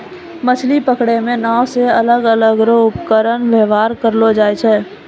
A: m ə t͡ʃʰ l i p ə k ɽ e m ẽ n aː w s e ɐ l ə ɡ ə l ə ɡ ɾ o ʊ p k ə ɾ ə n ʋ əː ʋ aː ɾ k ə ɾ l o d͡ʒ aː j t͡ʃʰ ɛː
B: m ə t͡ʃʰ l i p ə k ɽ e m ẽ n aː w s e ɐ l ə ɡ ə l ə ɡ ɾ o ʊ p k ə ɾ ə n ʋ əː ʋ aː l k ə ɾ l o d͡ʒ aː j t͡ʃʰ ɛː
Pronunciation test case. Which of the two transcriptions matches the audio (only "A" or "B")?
A